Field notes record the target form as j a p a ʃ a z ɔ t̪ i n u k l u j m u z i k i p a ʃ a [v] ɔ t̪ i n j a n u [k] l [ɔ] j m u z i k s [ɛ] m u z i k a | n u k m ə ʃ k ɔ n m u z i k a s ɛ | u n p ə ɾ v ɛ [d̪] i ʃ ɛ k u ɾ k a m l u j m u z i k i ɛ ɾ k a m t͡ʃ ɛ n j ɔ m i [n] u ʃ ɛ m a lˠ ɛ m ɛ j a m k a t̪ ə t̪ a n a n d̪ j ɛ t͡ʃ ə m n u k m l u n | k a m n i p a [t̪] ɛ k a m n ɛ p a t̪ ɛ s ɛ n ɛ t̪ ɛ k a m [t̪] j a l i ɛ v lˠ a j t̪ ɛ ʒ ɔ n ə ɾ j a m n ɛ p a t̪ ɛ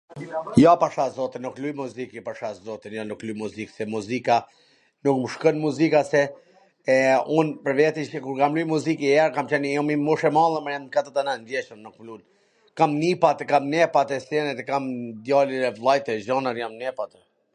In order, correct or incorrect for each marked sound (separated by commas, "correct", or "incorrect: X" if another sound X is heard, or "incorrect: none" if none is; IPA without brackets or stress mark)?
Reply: incorrect: z, correct, incorrect: u, correct, incorrect: t̪, incorrect: m, correct, incorrect: d̪